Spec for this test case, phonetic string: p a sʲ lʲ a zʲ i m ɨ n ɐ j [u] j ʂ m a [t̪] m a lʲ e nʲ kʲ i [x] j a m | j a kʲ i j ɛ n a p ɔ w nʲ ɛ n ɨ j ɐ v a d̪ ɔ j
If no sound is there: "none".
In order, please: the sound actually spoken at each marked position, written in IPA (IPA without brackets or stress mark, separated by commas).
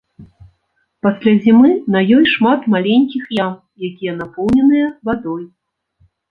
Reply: ɔ, t̪, x